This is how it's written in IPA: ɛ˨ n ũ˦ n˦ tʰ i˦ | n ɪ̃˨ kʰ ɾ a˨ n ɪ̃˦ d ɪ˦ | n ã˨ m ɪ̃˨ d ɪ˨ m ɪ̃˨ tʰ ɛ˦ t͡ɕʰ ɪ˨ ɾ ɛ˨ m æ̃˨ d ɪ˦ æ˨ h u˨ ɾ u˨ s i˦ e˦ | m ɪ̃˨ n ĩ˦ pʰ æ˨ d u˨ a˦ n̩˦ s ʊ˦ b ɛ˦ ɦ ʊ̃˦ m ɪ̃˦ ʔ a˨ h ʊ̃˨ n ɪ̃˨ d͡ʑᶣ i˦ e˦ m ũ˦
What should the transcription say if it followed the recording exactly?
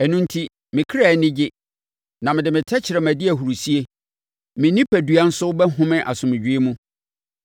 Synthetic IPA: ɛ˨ n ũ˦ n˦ tʰ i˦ | m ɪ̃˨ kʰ ɾ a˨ n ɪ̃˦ d͡ʑ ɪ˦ | n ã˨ m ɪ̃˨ d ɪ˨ m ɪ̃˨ tʰ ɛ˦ t͡ɕʰ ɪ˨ ɾ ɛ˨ m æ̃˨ d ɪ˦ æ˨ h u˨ ɾ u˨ s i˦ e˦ | m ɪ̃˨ n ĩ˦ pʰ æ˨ d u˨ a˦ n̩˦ s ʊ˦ b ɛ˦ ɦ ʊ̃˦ m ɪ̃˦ ʔ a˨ s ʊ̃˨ m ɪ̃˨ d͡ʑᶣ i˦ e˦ m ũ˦